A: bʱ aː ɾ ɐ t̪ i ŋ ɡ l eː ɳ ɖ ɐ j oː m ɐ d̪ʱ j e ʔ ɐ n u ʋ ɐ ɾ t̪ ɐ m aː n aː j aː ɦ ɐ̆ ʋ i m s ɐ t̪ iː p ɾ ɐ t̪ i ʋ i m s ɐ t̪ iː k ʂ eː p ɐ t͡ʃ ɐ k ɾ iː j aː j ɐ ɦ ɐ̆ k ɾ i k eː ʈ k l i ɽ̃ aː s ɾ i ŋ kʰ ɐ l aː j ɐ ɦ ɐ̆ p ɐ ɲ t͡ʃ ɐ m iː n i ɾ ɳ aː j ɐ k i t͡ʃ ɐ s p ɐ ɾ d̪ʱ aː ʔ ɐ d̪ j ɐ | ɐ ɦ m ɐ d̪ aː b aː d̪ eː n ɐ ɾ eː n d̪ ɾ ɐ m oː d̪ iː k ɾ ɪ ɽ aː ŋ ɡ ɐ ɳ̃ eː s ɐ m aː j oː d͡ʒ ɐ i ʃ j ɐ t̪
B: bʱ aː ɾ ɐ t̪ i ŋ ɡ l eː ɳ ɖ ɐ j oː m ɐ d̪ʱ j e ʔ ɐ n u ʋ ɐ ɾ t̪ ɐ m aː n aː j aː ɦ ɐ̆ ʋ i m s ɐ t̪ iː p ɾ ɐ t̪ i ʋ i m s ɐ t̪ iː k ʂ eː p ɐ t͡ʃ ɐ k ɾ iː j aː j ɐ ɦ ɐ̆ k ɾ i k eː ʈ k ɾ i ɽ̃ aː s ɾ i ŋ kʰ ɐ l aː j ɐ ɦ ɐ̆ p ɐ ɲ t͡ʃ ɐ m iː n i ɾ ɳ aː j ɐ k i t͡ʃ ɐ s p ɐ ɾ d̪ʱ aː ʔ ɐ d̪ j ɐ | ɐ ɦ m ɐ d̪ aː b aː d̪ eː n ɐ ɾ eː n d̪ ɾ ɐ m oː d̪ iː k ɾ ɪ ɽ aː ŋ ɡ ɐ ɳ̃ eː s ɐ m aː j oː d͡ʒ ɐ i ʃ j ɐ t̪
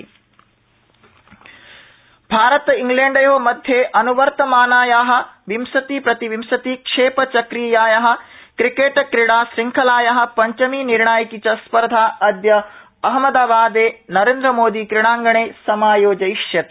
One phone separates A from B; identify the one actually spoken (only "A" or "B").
B